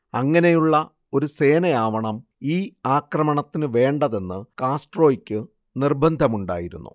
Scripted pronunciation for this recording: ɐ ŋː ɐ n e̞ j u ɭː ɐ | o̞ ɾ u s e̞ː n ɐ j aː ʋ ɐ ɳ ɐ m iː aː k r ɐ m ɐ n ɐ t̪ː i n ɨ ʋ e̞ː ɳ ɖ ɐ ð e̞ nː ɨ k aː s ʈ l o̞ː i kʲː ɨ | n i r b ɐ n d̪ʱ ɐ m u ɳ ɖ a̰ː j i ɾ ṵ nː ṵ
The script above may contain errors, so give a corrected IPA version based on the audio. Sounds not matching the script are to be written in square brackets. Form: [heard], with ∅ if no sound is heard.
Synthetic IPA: ɐ ŋː ɐ n e̞ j u ɭː ɐ | o̞ ɾ u s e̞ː n ɐ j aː ʋ ɐ ɳ ɐ m iː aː k r ɐ m ɐ [ɳ] ɐ t̪ː i n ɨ ʋ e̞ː ɳ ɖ ɐ ð e̞ nː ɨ k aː s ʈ [r] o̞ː i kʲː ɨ | n i r b ɐ n d̪ʱ ɐ m u ɳ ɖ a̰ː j i ɾ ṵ nː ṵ